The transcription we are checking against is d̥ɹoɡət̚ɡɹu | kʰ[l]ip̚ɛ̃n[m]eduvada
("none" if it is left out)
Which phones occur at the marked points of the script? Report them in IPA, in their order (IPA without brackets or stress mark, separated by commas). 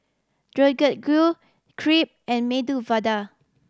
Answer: ɹ, m